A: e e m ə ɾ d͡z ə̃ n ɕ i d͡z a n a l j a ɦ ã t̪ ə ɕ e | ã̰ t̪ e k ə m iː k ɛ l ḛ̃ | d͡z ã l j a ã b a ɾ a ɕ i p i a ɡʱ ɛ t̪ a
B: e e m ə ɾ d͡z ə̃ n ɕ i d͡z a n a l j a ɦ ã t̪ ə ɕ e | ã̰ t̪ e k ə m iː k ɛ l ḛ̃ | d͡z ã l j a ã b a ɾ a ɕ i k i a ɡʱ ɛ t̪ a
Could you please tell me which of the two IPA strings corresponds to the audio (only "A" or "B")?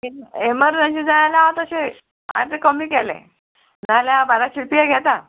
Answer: A